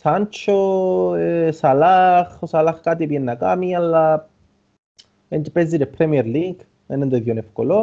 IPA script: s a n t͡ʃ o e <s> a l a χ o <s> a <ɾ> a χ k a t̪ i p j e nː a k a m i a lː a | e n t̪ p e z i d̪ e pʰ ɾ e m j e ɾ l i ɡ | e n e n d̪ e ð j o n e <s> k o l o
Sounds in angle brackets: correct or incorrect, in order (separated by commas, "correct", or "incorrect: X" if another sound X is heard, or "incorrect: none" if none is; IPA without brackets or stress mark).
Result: correct, correct, incorrect: l, incorrect: f